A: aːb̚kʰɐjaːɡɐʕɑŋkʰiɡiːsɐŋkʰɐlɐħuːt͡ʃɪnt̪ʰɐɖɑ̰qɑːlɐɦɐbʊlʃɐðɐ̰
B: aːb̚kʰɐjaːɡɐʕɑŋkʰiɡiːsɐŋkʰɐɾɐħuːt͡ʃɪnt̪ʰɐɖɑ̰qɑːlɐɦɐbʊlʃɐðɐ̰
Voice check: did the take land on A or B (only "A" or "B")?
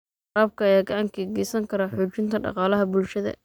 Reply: B